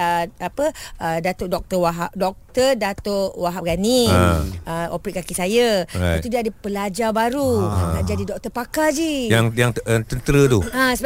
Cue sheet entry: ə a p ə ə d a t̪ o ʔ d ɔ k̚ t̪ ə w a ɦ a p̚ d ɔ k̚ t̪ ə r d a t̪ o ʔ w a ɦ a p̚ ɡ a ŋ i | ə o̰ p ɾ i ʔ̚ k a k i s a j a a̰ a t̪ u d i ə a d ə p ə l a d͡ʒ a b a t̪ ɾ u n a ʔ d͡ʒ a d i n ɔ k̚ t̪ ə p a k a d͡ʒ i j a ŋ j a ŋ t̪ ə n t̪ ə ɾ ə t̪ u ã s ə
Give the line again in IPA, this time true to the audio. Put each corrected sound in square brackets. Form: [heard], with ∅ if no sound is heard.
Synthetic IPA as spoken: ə a p ə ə d a t̪ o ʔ d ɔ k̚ t̪ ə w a ɦ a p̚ d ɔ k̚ t̪ ə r d a t̪ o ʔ w a ɦ a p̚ ɡ a [n] i | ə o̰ p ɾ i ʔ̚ k a k i s a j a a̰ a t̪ u d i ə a d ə p ə l a d͡ʒ a b a [∅] ɾ u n a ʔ d͡ʒ a d i [d] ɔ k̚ t̪ ə p a k a d͡ʒ i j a ŋ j a ŋ t̪ ə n t̪ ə ɾ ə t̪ u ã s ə